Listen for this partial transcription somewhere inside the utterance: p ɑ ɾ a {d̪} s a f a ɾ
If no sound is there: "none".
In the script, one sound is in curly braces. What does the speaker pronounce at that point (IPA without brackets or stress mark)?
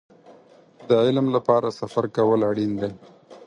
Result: none